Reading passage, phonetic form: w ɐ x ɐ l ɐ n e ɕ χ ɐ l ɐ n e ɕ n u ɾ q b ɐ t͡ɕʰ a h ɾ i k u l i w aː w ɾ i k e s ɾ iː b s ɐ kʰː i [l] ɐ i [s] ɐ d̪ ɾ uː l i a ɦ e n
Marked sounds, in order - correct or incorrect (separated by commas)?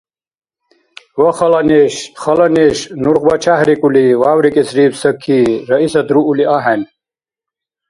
incorrect, correct